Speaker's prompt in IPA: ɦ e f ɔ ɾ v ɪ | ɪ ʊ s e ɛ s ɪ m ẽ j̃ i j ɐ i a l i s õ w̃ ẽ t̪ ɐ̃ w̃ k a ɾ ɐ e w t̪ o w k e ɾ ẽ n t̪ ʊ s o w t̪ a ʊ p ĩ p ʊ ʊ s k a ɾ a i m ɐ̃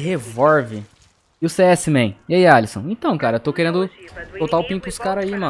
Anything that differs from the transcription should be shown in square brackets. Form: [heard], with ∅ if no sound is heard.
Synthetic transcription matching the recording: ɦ e [v] ɔ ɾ v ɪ | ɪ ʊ s e ɛ s ɪ m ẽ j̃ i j [a] i a l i s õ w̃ ẽ t̪ ɐ̃ w̃ k a ɾ ɐ e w t̪ o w k e ɾ ẽ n [d̪] ʊ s o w t̪ a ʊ p ĩ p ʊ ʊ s k a ɾ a i m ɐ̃